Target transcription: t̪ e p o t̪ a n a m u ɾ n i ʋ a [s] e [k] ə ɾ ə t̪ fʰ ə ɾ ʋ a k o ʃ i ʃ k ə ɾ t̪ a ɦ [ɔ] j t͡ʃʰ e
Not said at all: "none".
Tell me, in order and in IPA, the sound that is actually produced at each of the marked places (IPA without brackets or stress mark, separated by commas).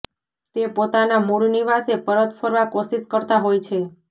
s, p, o